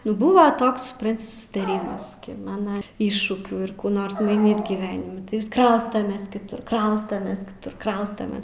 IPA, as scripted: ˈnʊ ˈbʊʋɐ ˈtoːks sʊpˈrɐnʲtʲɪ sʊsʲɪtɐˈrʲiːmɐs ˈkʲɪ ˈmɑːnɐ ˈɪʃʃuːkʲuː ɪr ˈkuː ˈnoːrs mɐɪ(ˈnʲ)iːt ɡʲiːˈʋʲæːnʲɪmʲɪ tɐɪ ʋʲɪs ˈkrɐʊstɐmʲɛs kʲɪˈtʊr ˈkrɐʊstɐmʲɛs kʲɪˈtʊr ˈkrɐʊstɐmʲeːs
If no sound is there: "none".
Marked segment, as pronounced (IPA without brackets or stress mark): nʲ